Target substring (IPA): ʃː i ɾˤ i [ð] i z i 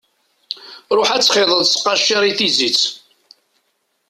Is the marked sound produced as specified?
no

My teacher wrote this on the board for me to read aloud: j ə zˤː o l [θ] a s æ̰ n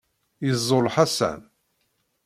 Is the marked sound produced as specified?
no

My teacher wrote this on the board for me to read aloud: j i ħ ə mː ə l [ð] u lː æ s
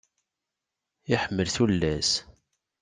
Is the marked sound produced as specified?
no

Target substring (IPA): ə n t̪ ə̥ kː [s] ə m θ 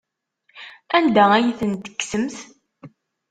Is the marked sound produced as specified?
yes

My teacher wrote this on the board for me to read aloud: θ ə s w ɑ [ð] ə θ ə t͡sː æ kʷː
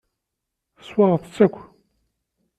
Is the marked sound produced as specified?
no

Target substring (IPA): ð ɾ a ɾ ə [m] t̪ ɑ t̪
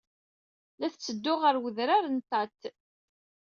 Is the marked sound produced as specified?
no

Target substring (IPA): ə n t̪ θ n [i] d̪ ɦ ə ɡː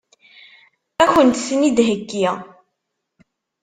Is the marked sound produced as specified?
yes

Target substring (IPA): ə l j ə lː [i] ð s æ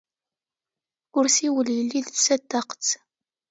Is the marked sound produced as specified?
yes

